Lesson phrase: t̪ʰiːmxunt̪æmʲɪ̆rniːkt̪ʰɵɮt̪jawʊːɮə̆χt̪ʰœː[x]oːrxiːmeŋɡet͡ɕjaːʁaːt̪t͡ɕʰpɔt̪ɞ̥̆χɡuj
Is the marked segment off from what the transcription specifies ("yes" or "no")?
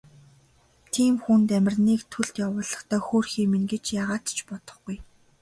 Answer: no